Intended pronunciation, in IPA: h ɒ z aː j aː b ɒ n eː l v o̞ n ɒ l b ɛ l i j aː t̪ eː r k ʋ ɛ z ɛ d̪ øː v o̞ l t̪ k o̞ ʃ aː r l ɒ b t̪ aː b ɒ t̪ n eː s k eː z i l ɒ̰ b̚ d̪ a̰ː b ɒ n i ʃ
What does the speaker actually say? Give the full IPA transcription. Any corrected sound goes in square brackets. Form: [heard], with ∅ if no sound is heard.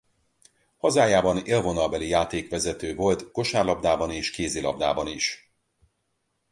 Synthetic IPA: h ɒ z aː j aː b ɒ n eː l v o̞ n ɒ l b ɛ l i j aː t̪ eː [∅] k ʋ ɛ z ɛ [t̪] øː v o̞ l t̪ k o̞ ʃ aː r l ɒ b [d̪] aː b ɒ [∅] n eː [ʃ] k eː z i l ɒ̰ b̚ d̪ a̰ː b ɒ n i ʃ